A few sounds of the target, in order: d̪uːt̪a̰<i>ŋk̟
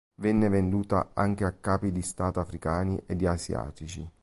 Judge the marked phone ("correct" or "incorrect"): incorrect